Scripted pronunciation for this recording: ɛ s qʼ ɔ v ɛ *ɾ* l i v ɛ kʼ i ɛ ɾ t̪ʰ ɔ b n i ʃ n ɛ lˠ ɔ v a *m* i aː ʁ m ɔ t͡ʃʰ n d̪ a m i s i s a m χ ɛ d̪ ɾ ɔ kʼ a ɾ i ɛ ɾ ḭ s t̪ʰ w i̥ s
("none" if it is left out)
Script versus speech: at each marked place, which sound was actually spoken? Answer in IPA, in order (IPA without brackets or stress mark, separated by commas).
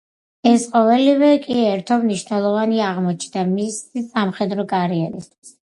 none, n